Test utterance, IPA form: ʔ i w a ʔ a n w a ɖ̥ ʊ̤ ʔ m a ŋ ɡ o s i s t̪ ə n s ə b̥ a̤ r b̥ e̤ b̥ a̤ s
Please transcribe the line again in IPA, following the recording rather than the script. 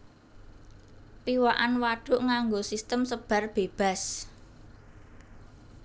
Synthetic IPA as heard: p i w a ʔ a n w a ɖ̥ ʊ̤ ʔ ŋ a ŋ ɡ o s i s t̪ ə m s ə b̥ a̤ r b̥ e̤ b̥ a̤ s

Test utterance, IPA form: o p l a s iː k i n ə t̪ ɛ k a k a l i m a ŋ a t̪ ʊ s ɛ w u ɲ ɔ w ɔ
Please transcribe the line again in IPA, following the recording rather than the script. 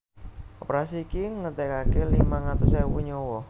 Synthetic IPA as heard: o p ɾ a s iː k i ŋ ə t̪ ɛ k a k e l i m a ŋ a t̪ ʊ s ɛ w u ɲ ɔ w ɔ

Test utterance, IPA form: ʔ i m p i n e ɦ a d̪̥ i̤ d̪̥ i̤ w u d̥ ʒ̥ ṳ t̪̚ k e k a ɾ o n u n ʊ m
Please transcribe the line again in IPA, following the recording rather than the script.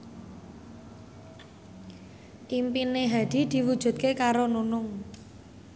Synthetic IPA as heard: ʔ i m p i n e ɦ a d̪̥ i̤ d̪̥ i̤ w u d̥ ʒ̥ ṳ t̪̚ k e k a ɾ o n u n ʊ ŋ

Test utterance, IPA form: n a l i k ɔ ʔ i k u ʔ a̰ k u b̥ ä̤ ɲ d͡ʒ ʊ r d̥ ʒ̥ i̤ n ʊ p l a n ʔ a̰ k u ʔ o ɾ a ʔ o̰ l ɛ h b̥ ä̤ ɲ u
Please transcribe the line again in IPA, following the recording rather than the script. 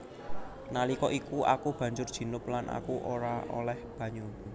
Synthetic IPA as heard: n a l i k ɔ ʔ i k u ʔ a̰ k u b̥ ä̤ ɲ d͡ʒ ʊ r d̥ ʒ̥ i̤ n ʊ p l a n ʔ a̰ k u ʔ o ɾ a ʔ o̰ l ɛ h b̥ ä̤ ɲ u

